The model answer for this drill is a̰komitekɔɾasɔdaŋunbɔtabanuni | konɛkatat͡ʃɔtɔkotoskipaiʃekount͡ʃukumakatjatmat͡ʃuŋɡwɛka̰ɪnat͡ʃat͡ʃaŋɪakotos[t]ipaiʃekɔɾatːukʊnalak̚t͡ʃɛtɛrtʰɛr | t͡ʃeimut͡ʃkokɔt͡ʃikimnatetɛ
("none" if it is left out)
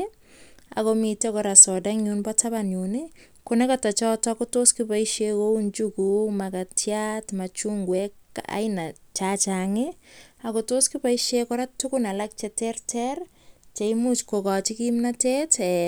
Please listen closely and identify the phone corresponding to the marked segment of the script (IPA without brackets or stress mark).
k